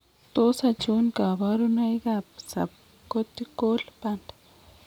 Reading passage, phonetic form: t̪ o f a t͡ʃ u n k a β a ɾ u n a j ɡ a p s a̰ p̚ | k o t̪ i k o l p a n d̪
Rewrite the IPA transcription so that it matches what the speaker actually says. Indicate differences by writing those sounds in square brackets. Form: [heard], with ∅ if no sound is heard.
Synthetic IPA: t̪ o [s] a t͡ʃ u n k a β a ɾ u n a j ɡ a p s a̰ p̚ | k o t̪ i k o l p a n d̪